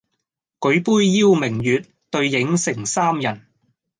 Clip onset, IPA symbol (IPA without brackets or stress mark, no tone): k